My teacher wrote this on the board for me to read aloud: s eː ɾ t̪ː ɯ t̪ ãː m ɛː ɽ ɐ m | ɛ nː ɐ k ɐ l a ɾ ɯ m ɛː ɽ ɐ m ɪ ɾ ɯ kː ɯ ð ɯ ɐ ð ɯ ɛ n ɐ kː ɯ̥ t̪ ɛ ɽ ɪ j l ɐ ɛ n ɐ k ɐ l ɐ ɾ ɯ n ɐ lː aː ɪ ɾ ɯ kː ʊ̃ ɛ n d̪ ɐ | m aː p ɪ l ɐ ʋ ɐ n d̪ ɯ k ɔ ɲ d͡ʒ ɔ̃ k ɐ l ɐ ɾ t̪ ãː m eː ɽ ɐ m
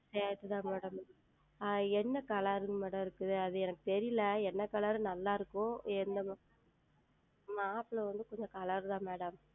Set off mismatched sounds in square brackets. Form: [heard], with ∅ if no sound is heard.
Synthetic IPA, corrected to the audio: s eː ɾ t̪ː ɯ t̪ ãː m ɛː ɽ ɐ m | ɛ nː ɐ k ɐ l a ɾ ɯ m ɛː ɽ ɐ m ɪ ɾ ɯ kː ɯ ð ɯ ɐ ð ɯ ɛ n ɐ kː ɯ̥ t̪ ɛ [ɾ] ɪ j l ɐ ɛ [nː] ɐ k ɐ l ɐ ɾ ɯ n ɐ lː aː ɪ ɾ ɯ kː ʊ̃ ɛ n d̪ ɐ | m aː p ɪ l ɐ ʋ ɐ n d̪ ɯ k ɔ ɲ d͡ʒ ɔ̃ k ɐ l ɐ ɾ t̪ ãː m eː ɽ ɐ m